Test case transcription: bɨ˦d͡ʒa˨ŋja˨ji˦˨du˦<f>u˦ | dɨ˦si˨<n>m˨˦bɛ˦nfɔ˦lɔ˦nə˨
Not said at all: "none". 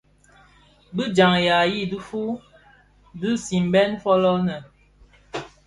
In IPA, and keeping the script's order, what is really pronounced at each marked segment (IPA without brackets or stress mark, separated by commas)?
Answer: f, none